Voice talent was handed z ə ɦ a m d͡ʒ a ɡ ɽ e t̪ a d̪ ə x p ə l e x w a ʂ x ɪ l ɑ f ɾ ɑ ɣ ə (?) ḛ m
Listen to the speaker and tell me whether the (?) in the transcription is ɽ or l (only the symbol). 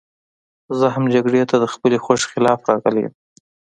l